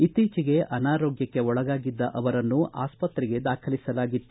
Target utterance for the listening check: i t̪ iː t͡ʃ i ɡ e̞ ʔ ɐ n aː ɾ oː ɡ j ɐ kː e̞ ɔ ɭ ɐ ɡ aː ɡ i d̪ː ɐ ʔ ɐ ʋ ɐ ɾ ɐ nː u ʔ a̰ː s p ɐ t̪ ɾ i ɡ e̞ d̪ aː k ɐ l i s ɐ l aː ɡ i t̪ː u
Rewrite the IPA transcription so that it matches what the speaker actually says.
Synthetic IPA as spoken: i t̪ iː t͡ʃ i ɡ e̞ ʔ ɐ n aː ɾ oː ɡ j ɐ kː e̞ ɔ ɭ ɐ ɡ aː ɡ i d̪ː ɐ ʔ ɐ ʋ ɐ ɾ ɐ nː u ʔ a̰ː s p ɐ t̪ ɾ i ɡ e̞ d̪ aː kʰ ɐ l i s ɐ l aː ɡ i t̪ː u